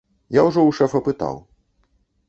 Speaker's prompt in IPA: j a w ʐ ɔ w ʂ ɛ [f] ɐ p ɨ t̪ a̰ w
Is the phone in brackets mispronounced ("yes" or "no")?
no